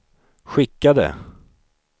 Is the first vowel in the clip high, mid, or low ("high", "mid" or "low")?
high